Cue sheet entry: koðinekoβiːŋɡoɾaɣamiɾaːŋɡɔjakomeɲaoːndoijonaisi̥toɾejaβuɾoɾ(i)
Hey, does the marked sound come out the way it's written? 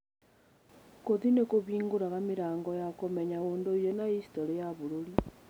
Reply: yes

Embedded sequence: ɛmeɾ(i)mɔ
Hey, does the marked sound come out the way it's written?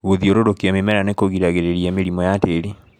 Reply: yes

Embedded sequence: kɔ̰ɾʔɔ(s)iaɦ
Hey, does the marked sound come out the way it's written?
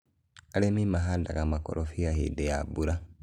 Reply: no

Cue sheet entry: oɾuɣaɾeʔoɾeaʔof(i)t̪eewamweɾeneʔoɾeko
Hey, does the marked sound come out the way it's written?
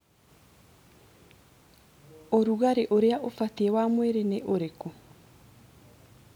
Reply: no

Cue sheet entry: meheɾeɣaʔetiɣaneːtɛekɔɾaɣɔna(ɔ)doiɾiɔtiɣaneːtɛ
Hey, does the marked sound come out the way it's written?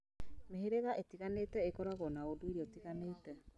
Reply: no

